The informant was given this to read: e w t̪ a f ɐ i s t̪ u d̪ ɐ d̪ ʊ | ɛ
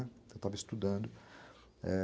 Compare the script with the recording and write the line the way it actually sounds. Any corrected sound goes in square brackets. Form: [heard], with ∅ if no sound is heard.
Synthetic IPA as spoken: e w t̪ a [v] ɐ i s t̪ u d̪ [ɐ̃] d̪ ʊ | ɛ